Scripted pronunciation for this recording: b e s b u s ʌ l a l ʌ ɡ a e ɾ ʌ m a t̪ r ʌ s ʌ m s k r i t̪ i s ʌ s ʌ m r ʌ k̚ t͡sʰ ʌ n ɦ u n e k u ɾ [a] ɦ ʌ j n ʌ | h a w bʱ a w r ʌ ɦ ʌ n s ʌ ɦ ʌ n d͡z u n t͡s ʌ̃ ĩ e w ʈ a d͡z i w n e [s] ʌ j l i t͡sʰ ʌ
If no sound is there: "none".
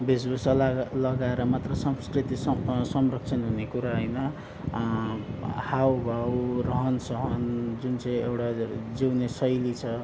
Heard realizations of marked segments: a, s

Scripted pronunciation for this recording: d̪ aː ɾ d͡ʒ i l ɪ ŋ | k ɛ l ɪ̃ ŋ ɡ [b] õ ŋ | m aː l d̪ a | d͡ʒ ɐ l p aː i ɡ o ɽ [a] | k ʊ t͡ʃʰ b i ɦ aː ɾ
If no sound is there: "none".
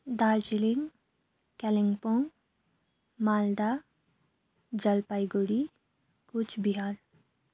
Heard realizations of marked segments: p, i

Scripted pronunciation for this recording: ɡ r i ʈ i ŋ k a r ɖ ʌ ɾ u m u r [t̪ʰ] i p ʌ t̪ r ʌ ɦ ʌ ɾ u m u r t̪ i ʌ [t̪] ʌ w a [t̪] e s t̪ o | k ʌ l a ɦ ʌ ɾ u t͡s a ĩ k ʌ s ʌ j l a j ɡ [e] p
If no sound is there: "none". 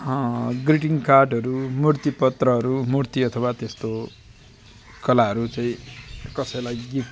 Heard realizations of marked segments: t̪, t̪ʰ, t̪, i

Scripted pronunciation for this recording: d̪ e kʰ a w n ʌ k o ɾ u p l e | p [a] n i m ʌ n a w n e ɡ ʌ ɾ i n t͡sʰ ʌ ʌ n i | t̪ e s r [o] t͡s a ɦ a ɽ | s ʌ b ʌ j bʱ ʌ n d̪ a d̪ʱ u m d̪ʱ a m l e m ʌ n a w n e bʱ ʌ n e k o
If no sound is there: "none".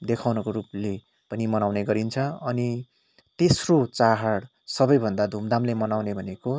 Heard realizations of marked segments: ʌ, o

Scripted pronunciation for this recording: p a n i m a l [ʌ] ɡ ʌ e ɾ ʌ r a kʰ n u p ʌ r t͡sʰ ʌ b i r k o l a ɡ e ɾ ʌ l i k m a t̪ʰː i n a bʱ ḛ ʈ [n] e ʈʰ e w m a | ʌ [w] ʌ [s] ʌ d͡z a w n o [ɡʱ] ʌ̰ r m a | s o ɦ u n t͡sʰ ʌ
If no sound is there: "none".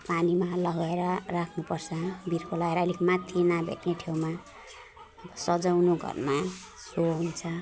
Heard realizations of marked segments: ʌ, n, b, s, ɡʱ

